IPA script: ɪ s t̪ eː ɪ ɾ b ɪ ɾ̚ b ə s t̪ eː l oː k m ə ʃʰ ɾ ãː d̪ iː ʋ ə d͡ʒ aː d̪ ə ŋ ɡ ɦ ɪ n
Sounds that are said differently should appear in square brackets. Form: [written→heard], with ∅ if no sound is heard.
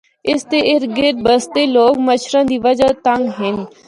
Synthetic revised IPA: ɪ s t̪ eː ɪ ɾ [b→ɡ] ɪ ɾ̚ b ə s t̪ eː l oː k m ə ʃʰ ɾ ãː d̪ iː ʋ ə d͡ʒ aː [d̪→t̪] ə ŋ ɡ ɦ ɪ n